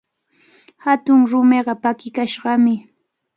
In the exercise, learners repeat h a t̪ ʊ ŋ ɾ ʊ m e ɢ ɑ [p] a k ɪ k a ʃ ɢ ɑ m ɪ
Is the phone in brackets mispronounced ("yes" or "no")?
no